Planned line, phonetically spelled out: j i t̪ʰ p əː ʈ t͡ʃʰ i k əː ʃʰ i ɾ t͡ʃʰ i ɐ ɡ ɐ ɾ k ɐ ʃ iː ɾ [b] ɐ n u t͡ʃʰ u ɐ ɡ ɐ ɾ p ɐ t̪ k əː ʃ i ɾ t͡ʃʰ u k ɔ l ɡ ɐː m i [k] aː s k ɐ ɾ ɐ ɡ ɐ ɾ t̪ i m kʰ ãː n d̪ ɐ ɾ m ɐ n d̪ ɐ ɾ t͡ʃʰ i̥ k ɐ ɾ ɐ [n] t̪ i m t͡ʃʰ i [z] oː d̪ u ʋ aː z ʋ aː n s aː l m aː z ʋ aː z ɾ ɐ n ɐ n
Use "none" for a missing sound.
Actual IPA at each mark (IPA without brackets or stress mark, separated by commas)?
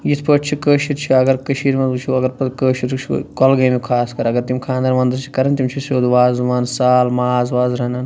m, kʰ, n, s